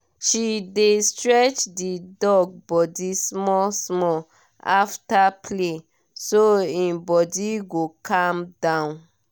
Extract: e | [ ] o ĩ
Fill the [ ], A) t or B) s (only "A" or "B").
B